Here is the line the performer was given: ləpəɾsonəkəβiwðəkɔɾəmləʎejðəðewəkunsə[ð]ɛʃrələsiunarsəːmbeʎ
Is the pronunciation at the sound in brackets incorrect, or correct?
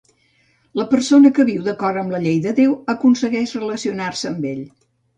incorrect